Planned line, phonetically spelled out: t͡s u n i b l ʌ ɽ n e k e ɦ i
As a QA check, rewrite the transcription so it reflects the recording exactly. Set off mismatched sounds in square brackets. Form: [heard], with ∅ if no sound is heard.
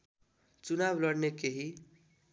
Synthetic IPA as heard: t͡s u n [a] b l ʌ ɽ n e k e ɦ i

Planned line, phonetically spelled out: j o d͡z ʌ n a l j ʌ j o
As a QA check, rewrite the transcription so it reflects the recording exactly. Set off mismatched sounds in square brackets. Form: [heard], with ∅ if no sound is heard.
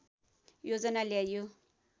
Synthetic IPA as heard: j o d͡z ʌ n a l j [a] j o

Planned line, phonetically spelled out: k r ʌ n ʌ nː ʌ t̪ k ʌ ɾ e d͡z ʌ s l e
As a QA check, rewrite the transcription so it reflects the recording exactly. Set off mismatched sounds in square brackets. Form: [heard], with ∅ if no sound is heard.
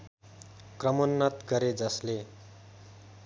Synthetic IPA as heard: k r ʌ [m] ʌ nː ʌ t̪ [ɡ] ʌ ɾ e d͡z ʌ s l e

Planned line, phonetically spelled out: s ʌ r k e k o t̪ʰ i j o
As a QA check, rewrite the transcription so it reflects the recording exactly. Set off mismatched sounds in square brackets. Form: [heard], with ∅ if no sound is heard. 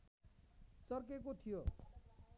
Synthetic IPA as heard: s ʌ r k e k o t̪ʰ i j o

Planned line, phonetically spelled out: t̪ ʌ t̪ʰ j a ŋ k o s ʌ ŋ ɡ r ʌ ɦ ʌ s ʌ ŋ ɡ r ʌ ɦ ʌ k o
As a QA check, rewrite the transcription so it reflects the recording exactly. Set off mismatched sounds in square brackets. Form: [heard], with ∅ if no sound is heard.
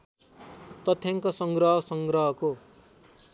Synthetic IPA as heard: t̪ ʌ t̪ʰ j a ŋ k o s ʌ ŋ ɡ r ʌ ɦ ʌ s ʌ ŋ ɡ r ʌ ɦ ʌ k o

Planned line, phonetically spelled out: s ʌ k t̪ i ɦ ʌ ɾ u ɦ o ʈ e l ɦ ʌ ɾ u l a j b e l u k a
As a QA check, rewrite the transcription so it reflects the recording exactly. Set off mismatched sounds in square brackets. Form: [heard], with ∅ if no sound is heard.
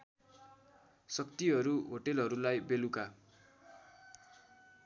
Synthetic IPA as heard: s ʌ k t̪ i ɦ ʌ ɾ u ɦ o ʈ e l ɦ ʌ ɾ u l a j b e l u k a

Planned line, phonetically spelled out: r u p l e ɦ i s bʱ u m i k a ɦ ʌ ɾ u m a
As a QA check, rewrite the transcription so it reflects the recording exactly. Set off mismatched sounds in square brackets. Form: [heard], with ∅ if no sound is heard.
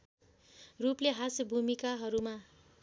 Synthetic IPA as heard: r u p l e ɦ [a] s bʱ u m i k a ɦ ʌ ɾ u m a

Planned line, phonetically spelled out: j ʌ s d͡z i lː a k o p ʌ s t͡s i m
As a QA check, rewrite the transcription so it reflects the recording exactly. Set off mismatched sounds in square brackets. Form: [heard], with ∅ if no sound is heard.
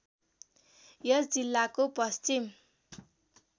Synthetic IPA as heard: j ʌ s d͡z i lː a k o p ʌ s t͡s i m

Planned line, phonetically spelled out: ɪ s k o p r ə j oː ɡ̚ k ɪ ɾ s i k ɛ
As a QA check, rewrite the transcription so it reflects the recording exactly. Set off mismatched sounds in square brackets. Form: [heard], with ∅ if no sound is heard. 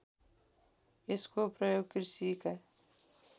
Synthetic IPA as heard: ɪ s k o p [ɾ] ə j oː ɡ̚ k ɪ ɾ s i k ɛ

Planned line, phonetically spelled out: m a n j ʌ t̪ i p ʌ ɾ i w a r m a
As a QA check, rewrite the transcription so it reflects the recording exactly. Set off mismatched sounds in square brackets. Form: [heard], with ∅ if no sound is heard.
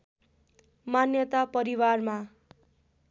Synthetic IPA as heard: m a n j ʌ t̪ [a] p ʌ ɾ i w a r m a

